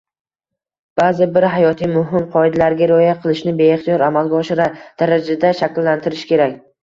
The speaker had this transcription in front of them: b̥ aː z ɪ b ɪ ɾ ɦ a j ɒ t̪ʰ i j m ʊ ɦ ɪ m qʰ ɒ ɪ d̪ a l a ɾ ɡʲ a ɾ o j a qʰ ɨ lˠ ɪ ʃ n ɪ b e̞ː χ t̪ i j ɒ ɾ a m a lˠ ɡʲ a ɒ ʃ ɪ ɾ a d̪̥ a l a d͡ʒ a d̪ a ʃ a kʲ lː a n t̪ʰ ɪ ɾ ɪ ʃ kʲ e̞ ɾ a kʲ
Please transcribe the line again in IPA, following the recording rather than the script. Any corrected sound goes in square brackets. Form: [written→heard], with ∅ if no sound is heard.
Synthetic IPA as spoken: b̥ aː z ɪ b ɪ ɾ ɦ a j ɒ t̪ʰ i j m ʊ ɦ ɪ m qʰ ɒ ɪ d̪ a l a ɾ ɡʲ a ɾ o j a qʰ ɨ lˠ ɪ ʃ n ɪ b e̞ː χ t̪ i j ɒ ɾ a m a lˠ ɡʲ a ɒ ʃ ɪ ɾ a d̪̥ a [l→ɾ] a d͡ʒ a d̪ a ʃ a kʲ lː a n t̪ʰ ɪ ɾ ɪ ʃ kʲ e̞ ɾ a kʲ